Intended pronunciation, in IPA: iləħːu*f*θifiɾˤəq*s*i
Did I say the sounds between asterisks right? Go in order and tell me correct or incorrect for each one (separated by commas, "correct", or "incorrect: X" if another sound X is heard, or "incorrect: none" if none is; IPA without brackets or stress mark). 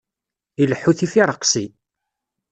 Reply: incorrect: none, correct